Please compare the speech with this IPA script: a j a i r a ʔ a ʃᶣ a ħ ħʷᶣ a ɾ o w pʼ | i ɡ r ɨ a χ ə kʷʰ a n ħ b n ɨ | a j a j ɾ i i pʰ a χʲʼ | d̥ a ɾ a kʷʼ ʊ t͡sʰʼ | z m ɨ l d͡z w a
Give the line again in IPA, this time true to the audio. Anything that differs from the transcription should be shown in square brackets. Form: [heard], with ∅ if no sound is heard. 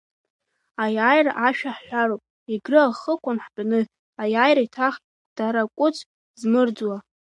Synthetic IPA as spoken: a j a [j] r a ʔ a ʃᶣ a ħ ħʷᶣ a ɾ o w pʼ | i ɡ r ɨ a χ ə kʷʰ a n ħ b n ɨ | a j a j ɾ [a] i [tʰ] a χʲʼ | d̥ a ɾ a kʷʼ ʊ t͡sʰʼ | z m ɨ [r] d͡z w a